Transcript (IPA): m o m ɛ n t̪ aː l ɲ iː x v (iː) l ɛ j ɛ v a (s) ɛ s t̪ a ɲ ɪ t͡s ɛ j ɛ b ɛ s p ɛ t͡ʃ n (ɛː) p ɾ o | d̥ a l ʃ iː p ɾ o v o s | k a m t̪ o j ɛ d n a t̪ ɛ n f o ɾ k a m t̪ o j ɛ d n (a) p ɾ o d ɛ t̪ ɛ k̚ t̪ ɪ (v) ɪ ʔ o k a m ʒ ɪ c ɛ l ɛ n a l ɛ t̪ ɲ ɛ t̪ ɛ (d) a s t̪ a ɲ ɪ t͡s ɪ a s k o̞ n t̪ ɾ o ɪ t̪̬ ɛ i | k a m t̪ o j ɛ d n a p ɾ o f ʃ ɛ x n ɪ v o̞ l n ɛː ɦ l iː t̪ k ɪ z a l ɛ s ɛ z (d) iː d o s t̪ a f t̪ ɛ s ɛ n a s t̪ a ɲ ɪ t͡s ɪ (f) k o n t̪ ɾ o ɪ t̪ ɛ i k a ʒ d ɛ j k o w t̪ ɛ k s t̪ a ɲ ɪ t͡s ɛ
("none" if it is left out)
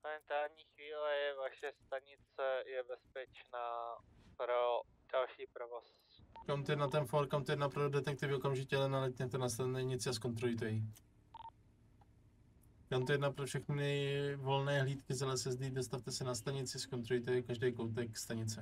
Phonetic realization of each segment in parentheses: iː, ʃ, aː, a, v, n, d, s

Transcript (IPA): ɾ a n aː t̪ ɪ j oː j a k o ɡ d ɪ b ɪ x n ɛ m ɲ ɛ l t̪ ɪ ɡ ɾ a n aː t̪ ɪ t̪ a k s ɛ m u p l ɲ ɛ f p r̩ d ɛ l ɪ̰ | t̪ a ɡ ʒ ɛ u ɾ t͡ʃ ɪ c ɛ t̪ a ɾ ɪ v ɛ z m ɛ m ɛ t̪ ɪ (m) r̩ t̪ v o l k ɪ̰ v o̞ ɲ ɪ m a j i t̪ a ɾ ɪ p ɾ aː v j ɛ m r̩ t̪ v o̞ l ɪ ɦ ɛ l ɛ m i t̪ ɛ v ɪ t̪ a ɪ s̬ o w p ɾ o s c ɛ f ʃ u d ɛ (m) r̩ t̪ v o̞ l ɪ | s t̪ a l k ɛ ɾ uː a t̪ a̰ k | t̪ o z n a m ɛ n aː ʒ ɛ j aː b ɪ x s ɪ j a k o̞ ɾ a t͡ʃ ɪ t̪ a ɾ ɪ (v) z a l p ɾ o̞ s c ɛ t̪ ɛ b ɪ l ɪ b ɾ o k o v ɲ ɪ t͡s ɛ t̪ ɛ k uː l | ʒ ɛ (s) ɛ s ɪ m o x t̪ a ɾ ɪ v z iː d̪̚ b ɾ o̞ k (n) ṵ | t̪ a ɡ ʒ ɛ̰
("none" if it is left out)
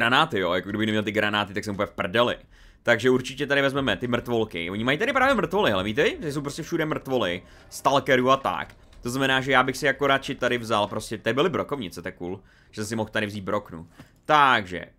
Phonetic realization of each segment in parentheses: m, m, v, s, n

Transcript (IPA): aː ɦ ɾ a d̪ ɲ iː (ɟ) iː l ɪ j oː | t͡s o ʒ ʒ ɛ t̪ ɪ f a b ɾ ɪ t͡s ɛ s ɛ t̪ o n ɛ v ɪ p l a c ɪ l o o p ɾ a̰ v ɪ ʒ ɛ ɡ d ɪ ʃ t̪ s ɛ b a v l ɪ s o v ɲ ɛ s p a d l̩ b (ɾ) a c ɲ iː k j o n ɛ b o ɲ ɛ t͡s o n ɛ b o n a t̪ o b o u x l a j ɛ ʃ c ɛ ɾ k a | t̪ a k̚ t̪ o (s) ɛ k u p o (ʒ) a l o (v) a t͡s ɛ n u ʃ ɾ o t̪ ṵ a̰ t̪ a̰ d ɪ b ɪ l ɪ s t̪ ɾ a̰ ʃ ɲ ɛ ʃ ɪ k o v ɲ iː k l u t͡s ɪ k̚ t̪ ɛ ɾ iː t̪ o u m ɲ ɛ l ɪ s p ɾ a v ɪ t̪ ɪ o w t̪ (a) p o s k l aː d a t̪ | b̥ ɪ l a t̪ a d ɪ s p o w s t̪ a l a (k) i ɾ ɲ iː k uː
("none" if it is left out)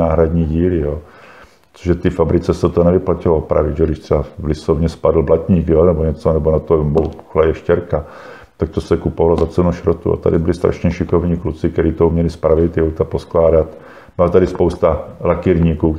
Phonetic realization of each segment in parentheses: ɟ, l, s, v, z, a, k

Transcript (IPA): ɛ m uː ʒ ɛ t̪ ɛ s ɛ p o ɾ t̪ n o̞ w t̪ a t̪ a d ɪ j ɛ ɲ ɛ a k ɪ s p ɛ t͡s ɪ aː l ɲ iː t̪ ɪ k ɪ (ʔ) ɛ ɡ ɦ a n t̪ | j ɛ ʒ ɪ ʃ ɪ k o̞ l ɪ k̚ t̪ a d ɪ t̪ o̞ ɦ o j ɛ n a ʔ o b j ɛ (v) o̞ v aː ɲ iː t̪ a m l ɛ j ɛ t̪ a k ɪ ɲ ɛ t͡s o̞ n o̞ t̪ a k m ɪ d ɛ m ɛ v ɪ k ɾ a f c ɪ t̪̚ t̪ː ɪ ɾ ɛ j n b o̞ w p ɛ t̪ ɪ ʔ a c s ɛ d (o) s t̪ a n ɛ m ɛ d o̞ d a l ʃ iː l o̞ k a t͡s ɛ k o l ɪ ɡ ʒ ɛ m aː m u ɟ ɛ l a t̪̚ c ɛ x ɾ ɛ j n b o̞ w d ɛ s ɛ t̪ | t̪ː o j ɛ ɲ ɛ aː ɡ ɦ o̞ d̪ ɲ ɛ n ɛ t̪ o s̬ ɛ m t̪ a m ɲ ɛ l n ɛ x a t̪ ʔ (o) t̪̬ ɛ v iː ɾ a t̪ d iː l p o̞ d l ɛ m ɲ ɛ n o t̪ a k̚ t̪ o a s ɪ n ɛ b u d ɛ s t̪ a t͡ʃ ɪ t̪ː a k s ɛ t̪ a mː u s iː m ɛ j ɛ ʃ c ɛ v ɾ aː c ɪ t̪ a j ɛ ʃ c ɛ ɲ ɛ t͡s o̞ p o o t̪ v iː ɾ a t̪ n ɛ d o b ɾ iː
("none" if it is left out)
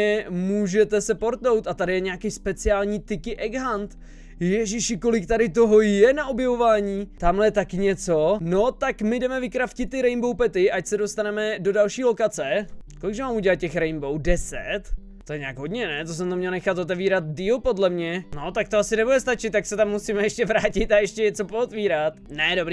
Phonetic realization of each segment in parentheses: ʔ, v, o, o

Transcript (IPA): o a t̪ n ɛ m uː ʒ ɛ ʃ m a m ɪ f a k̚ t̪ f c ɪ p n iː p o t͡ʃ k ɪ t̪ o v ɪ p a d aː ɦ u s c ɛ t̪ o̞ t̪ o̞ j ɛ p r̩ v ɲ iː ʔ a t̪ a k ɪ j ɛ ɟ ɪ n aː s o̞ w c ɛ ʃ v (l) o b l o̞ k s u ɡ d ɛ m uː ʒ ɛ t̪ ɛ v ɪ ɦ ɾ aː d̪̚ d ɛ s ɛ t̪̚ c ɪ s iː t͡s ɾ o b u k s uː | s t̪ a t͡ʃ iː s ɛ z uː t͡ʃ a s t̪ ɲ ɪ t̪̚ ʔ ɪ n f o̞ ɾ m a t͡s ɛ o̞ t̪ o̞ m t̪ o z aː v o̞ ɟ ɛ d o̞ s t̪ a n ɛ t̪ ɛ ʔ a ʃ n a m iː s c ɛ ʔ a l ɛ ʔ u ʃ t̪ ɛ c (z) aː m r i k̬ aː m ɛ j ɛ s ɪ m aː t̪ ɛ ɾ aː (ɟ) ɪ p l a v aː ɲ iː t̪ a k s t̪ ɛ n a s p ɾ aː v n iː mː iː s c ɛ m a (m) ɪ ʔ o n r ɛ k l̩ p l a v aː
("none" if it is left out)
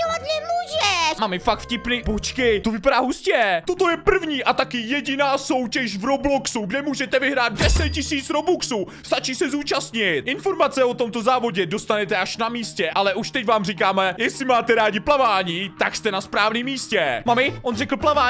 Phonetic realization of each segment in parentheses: ɾ, v, ɟ, m

